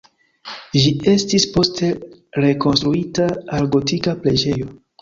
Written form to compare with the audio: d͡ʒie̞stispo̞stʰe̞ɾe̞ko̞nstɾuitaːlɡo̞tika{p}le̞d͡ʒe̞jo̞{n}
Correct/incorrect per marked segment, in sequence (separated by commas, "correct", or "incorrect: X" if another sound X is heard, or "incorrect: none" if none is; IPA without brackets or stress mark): correct, incorrect: none